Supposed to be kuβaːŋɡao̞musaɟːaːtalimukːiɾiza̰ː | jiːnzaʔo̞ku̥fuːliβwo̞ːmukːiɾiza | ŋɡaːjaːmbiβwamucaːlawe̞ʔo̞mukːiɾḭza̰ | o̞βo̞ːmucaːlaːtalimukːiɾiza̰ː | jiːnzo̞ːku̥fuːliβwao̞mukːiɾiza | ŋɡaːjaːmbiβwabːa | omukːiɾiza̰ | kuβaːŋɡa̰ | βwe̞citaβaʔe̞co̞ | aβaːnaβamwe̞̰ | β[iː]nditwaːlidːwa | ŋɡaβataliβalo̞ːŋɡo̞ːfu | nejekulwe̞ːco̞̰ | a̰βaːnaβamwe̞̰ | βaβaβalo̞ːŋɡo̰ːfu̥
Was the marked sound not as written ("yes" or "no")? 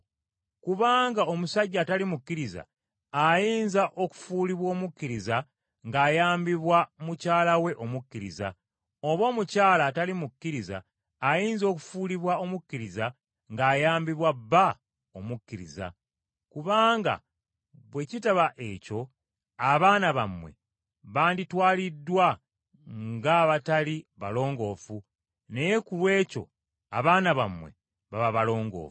yes